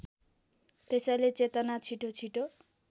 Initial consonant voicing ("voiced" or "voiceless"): voiceless